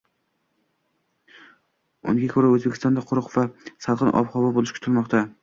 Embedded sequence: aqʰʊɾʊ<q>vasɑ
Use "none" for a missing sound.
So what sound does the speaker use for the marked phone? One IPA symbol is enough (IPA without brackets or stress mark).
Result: q